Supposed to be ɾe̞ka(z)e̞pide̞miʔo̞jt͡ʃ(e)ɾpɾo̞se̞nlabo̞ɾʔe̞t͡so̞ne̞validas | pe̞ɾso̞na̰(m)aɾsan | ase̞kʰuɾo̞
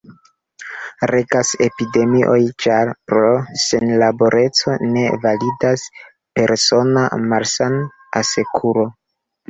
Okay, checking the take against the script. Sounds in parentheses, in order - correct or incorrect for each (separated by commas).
incorrect, incorrect, correct